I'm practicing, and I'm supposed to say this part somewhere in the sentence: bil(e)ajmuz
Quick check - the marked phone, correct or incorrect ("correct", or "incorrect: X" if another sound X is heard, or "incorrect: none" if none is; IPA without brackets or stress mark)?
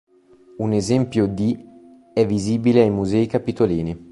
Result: correct